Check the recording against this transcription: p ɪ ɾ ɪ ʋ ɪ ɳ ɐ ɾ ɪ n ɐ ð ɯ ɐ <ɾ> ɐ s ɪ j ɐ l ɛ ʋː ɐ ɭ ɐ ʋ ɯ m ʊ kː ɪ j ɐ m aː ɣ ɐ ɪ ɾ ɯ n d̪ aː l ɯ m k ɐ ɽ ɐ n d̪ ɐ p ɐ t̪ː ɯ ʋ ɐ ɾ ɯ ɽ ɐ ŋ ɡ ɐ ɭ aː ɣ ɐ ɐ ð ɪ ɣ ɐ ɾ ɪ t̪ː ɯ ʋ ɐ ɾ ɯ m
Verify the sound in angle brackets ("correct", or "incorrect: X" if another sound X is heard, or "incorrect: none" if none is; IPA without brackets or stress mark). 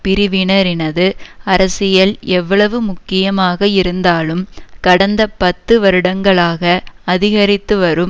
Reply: correct